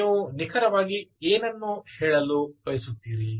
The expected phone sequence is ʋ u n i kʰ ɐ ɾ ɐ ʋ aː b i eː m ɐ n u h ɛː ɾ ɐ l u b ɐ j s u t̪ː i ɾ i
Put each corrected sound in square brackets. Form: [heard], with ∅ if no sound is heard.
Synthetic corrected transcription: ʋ u n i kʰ ɐ ɾ ɐ ʋ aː [ɡ] i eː [n] ɐ [nː] u h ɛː [ɭ] ɐ l u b ɐ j s u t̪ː [iː] ɾ i